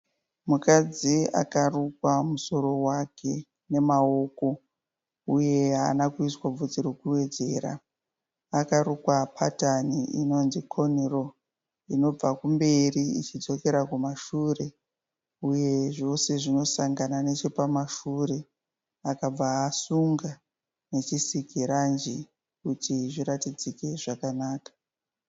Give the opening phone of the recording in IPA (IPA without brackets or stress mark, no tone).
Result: m